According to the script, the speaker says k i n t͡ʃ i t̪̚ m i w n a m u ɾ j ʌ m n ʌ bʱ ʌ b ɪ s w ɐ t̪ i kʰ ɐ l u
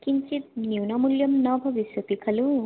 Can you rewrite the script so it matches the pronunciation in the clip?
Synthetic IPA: k i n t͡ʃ i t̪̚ n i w n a m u l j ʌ m n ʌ bʱ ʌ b i s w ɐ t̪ i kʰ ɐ l u